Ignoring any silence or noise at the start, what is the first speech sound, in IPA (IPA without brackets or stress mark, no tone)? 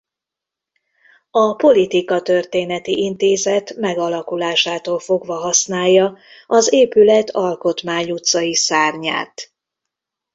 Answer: ɒ